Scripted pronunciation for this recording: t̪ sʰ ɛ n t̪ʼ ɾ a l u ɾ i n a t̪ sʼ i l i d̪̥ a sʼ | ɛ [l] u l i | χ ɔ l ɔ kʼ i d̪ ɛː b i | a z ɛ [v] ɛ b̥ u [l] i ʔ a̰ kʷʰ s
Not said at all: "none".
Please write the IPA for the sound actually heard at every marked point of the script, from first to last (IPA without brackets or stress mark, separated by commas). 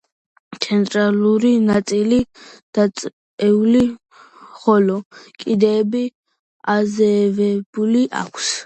none, v, l